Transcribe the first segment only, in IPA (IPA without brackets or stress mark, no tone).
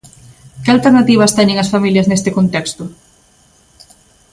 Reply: k